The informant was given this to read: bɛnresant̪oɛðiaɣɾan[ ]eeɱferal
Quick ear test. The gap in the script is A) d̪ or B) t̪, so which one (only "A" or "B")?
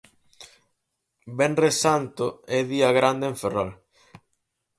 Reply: A